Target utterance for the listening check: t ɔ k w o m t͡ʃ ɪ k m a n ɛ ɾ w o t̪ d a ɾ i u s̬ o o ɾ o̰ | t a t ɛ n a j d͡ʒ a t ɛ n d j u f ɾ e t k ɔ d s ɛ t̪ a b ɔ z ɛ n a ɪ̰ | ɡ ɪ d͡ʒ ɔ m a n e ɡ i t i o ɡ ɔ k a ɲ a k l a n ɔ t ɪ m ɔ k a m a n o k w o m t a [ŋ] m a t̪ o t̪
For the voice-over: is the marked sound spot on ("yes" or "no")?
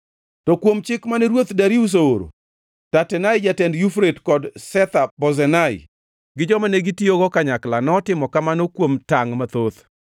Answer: yes